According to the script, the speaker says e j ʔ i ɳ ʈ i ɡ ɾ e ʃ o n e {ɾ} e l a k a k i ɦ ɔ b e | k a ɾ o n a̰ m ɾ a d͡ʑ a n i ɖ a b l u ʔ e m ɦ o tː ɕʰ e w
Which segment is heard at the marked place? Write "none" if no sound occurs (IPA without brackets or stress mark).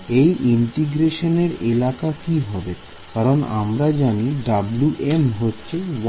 ɾ